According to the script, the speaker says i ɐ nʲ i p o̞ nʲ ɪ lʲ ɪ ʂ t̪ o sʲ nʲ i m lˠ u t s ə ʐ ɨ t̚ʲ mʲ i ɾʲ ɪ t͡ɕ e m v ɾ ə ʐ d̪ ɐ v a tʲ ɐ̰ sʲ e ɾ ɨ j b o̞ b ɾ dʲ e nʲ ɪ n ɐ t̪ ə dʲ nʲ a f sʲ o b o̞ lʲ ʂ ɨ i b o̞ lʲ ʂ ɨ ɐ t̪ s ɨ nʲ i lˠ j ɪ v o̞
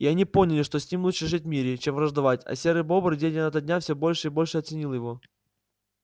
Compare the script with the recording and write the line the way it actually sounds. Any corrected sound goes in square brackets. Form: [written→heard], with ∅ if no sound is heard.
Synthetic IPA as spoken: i ɐ nʲ i p o̞ nʲ ɪ lʲ ɪ ʂ t̪ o sʲ nʲ i m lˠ u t [s→ʂ] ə ʐ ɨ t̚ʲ mʲ i ɾʲ ɪ t͡ɕ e m v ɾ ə ʐ d̪ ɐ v a tʲ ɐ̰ sʲ e ɾ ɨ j b o̞ b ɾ dʲ e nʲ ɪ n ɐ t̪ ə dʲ nʲ a f sʲ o b o̞ lʲ ʂ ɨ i b o̞ lʲ ʂ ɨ ɐ t̪ s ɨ nʲ i lˠ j ɪ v o̞